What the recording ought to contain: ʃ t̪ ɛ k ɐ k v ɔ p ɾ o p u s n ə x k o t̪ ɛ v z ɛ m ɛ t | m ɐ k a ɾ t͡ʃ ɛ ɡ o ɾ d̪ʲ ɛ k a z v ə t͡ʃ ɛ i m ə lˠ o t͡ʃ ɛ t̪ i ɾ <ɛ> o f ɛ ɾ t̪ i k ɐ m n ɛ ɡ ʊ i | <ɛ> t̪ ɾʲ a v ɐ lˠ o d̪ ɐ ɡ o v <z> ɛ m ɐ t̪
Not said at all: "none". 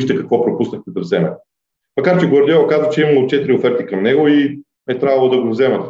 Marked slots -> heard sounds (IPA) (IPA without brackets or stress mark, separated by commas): i, ɛ, z